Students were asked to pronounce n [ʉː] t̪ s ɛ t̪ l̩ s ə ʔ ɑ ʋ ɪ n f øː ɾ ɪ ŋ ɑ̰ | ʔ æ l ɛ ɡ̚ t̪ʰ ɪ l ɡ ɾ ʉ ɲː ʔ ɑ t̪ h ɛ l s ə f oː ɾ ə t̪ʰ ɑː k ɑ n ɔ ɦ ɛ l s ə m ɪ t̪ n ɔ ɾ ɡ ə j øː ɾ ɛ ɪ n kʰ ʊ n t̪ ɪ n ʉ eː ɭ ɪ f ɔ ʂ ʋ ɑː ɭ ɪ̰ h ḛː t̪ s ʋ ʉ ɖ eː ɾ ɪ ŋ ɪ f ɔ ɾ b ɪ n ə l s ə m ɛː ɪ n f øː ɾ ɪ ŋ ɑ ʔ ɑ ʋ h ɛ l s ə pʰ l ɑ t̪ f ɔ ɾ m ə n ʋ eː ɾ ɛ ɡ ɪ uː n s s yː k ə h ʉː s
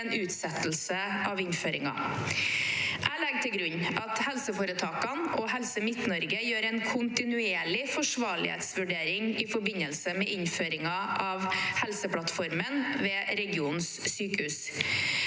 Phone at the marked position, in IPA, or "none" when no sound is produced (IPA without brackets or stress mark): ʉː